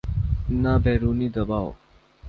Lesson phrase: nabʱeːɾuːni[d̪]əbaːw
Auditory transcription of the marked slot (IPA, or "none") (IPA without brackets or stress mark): d̪